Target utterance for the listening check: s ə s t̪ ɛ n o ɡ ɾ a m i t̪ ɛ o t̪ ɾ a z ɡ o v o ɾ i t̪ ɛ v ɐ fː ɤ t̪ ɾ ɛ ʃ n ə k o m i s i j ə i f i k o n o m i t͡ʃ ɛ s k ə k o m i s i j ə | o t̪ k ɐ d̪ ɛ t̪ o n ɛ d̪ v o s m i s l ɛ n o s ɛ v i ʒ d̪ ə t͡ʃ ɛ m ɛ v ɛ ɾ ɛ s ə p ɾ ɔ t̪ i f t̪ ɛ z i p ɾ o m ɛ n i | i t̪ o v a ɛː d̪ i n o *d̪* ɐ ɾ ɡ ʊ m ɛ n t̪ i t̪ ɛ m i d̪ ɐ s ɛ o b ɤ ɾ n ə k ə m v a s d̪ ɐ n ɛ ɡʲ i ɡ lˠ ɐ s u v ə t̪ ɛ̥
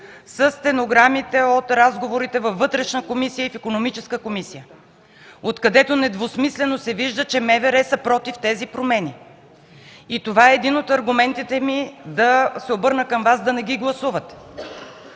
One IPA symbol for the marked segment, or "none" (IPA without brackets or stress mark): t̪